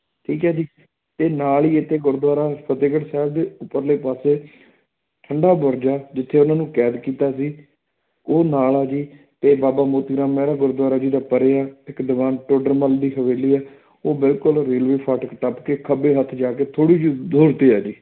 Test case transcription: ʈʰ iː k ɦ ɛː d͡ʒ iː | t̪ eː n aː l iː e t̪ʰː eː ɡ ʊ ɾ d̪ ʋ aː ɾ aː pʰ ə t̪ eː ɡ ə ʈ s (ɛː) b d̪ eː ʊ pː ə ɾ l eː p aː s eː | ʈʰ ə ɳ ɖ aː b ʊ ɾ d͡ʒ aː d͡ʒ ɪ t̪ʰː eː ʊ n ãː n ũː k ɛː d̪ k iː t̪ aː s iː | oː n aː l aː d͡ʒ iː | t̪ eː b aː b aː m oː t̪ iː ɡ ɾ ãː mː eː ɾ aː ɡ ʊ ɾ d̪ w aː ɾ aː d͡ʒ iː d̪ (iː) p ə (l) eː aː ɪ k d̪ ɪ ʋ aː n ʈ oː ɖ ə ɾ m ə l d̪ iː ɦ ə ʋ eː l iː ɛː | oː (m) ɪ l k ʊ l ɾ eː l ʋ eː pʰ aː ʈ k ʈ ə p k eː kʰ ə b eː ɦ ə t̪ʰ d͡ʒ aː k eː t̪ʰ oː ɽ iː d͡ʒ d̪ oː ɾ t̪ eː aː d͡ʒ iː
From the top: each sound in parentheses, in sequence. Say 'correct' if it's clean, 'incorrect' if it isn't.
correct, incorrect, incorrect, incorrect

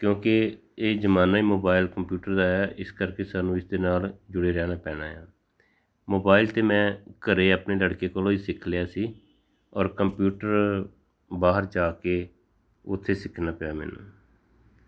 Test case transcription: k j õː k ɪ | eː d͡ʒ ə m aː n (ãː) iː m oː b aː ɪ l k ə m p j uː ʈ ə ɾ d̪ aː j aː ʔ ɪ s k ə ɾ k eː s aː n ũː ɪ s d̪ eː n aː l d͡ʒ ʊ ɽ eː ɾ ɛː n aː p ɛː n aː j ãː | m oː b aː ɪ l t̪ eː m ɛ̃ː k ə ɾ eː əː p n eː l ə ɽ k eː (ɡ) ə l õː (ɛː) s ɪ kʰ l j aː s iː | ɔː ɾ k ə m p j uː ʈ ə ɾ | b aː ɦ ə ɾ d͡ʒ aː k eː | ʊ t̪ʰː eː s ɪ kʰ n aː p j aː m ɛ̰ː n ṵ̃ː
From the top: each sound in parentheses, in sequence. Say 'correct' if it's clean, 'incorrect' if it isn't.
incorrect, incorrect, incorrect

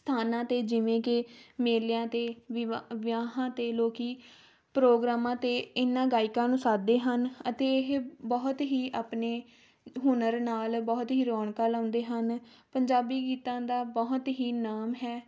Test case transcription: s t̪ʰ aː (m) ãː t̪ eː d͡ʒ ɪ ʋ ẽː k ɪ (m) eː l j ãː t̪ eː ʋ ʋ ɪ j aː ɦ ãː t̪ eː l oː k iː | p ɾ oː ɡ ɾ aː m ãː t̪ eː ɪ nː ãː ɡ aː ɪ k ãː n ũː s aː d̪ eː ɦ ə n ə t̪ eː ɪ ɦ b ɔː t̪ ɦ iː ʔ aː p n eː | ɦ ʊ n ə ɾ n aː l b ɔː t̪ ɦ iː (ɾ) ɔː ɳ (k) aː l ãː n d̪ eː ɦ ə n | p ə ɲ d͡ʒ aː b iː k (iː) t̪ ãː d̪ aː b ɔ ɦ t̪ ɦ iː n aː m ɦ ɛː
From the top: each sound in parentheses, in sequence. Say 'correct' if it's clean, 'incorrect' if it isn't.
incorrect, correct, correct, correct, correct

